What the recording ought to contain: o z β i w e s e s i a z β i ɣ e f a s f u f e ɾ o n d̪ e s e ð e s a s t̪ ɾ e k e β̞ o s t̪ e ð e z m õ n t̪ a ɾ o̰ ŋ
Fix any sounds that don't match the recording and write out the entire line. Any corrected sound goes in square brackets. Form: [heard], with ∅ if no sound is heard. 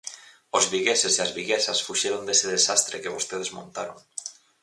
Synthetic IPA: o z β i [ɣ] e s e s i a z β i ɣ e [s] a s f u [ʃ] e ɾ o n d̪ e s e ð e s a s t̪ ɾ e k e β̞ o s t̪ e ð e z m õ n t̪ a ɾ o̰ ŋ